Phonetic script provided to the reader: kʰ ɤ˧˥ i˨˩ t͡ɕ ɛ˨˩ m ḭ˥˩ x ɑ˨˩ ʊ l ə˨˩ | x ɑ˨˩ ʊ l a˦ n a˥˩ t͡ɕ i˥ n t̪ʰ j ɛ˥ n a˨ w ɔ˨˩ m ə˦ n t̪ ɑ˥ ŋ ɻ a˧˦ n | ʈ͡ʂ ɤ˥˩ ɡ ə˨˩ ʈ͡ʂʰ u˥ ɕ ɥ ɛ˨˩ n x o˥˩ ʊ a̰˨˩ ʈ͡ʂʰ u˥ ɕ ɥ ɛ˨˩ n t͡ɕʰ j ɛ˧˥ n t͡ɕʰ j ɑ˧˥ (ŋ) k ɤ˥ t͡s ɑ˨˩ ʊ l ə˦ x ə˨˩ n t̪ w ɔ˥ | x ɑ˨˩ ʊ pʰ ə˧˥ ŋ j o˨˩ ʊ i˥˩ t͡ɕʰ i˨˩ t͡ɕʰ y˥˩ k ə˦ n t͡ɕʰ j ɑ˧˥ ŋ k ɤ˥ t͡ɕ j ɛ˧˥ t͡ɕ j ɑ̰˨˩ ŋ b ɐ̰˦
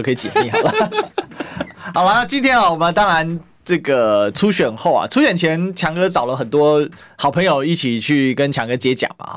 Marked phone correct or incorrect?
correct